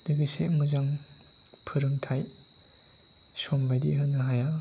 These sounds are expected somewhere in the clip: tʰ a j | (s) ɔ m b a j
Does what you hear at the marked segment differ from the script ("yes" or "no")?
no